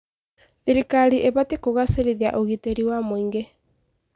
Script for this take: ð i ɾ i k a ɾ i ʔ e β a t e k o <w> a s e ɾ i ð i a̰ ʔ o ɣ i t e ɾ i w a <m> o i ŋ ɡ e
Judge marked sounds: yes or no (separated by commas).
no, yes